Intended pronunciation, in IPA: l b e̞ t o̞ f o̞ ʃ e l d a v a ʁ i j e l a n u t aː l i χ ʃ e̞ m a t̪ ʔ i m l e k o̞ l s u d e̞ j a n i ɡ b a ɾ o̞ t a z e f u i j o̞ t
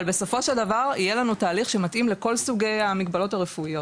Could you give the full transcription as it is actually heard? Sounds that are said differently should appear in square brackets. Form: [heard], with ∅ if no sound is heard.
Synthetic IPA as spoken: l b e̞ [s] o̞ f o̞ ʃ e l d a v a ʁ i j e l a n u t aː l i χ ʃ e̞ m a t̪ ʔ i m l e k o̞ l s u [ɡ] e̞ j a [m] i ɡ b a [l] o̞ t a [ʁ] e f u i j o̞ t